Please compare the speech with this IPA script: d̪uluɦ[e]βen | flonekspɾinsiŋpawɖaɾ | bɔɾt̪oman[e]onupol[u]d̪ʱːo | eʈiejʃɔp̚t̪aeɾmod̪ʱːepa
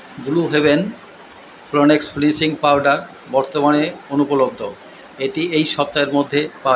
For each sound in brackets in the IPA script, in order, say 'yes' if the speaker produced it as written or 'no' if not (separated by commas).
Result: yes, yes, no